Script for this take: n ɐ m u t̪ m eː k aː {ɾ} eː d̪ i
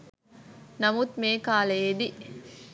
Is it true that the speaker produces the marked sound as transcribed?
no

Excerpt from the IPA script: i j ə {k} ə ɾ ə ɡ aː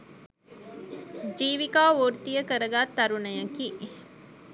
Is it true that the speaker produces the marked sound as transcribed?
yes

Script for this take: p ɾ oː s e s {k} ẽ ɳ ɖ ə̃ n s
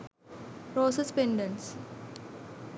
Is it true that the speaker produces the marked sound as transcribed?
no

